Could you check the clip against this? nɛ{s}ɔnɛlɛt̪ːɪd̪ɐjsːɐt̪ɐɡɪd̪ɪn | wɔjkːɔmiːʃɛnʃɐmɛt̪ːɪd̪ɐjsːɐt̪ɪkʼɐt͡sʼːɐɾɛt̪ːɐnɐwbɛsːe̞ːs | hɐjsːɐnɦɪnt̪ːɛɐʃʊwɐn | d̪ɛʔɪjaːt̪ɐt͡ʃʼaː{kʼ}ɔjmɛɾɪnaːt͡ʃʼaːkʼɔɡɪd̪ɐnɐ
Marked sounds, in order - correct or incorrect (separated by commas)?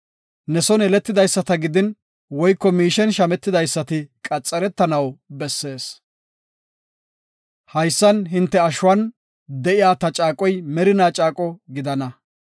correct, correct